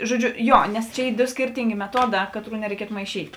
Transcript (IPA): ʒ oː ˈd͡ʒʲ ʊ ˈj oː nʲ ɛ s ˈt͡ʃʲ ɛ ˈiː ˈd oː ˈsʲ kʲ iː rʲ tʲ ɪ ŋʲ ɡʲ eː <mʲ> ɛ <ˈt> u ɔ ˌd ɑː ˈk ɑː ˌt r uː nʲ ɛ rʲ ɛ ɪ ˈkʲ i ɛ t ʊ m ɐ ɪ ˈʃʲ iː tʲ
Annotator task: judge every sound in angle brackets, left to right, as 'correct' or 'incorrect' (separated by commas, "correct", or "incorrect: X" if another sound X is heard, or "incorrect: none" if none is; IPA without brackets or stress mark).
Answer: correct, correct